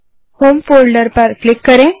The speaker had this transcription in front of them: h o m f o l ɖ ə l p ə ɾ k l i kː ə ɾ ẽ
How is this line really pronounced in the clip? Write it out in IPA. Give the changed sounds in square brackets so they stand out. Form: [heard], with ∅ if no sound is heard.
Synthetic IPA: h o m f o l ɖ ə [ɾ] p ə ɾ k l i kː ə ɾ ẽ